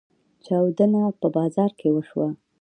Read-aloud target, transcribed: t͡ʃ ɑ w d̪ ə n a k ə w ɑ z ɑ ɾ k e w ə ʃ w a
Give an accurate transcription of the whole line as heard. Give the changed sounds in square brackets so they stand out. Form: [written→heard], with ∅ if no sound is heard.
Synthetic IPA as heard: t͡ʃ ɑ w d̪ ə n a [k→p] ə [w→b] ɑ z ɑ ɾ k e w ə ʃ w a